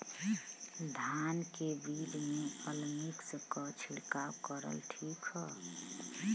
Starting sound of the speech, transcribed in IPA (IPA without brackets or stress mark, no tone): d̪ʱ